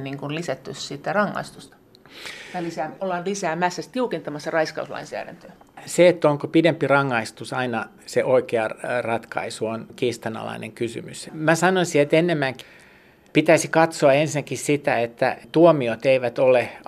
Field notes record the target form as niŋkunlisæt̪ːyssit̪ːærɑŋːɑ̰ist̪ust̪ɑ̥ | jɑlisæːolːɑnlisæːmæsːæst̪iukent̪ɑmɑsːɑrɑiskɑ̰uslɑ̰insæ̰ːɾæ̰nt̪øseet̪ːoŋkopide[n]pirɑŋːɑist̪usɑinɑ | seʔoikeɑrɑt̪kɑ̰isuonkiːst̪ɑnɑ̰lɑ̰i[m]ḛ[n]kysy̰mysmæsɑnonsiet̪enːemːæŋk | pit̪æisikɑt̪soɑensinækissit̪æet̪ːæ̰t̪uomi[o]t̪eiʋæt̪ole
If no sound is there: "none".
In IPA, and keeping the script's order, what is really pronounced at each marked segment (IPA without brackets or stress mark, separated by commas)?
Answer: m, n, ŋ, o